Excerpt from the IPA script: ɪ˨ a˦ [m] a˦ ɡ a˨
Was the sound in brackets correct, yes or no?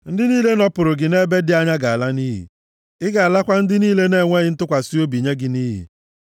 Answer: no